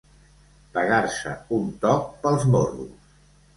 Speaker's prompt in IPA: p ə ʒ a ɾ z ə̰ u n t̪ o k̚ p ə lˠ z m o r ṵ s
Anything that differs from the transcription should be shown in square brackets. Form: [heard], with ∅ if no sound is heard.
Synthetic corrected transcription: p ə [ɣ] a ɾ [s] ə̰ u n t̪ [ɔ] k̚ p ə lˠ z m o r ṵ s